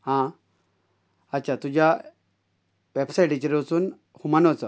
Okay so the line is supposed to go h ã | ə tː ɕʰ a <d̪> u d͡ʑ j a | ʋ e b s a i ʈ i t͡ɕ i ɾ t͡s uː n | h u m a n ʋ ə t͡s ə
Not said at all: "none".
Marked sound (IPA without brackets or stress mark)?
t̪